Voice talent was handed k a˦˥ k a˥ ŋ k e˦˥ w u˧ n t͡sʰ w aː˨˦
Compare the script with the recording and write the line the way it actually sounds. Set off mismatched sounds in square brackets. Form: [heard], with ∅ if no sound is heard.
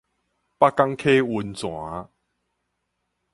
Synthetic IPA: [p] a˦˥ k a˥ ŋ [kʰ] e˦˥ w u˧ n [t͡s] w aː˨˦